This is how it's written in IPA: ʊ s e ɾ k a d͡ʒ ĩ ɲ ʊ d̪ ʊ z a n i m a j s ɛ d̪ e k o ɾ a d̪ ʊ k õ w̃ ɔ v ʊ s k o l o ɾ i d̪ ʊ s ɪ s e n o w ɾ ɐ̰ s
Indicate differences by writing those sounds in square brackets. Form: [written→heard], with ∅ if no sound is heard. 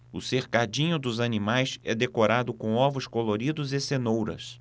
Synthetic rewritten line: ʊ s e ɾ k a d͡ʒ ĩ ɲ ʊ d̪ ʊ z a n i m a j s ɛ d̪ e k o ɾ a d̪ ʊ k õ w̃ ɔ v ʊ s k o l o ɾ i d̪ ʊ [s→z] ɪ s e n o w ɾ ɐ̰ s